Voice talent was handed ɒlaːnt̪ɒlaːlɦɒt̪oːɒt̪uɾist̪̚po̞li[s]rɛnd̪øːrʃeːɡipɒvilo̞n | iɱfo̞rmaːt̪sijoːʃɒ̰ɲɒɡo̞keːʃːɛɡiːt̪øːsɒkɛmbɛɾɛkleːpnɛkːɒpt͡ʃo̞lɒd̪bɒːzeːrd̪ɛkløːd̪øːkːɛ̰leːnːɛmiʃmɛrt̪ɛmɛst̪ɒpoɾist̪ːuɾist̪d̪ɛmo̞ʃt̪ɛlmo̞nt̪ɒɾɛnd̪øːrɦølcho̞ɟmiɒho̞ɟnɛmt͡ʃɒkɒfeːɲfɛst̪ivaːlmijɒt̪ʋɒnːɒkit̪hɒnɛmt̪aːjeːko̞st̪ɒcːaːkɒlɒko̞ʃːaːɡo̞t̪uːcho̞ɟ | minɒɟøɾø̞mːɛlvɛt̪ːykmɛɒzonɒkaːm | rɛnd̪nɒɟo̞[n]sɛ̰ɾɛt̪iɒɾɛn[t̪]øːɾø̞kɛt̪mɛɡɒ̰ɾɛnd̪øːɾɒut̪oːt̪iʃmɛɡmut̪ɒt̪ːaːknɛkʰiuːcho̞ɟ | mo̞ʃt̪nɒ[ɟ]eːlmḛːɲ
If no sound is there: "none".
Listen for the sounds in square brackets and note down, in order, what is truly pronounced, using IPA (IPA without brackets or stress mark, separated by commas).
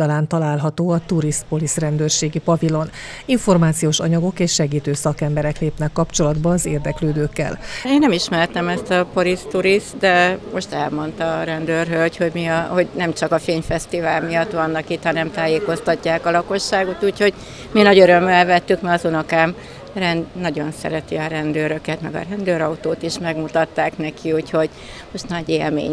s, n, d̪, ɟ